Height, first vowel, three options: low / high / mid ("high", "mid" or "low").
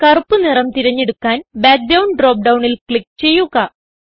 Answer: low